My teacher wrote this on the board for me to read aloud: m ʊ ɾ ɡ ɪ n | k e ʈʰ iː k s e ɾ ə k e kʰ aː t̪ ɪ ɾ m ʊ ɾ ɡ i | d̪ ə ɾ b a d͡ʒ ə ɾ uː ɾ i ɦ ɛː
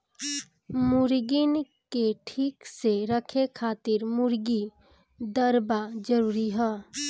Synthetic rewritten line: m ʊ ɾ ɡ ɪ n | k e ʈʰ iː k s e ɾ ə kʰ e kʰ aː t̪ ɪ ɾ m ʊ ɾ ɡ i | d̪ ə ɾ b a d͡ʒ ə ɾ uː ɾ i ɦ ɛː